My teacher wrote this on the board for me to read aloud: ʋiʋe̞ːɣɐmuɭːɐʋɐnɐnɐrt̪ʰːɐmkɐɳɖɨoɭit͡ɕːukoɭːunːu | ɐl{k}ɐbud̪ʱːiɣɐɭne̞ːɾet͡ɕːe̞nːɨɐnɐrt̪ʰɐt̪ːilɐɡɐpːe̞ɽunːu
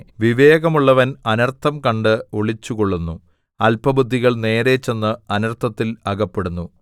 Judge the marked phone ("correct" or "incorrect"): incorrect